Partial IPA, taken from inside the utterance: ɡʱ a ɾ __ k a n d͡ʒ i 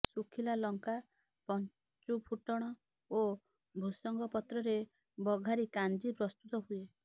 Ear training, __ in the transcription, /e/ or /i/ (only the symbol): i